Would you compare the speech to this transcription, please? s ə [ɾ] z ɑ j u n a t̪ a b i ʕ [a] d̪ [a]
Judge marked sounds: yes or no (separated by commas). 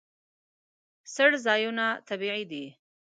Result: no, no, no